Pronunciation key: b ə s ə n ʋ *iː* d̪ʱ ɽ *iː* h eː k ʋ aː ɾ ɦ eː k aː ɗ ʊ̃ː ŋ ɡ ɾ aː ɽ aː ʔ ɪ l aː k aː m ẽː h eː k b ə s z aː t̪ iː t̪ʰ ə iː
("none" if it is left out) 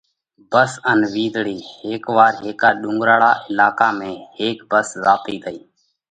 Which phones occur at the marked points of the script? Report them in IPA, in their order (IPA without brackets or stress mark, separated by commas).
iː, iː